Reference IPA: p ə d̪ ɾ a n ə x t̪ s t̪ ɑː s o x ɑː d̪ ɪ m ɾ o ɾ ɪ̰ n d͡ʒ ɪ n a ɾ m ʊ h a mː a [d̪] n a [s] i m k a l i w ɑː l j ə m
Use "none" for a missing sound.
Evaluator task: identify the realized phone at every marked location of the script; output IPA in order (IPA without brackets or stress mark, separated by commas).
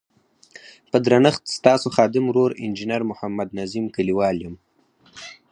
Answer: d̪, z